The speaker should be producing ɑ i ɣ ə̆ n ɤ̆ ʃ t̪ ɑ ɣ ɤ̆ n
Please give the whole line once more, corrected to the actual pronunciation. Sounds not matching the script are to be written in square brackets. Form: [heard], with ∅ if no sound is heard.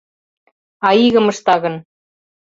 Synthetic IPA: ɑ i ɣ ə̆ [m] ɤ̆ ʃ t̪ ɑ ɣ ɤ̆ n